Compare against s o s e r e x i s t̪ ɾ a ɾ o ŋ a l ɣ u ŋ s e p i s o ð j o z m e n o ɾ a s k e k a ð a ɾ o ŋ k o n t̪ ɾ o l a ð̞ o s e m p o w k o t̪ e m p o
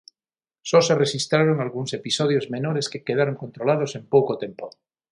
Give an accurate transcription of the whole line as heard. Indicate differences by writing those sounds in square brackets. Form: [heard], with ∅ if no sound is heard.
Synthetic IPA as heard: s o s e r e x i s t̪ ɾ a ɾ o ŋ a l ɣ u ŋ s e p i s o ð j o z m e n o ɾ [e] s k e k [e] ð a ɾ o ŋ k o n t̪ ɾ o l a ð̞ o s e m p o w k o t̪ e m p o